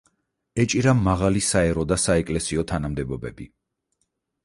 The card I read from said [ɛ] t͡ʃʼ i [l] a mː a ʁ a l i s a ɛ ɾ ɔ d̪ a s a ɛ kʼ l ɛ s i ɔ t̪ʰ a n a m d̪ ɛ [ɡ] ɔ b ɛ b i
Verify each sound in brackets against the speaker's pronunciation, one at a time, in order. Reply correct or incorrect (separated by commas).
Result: correct, incorrect, incorrect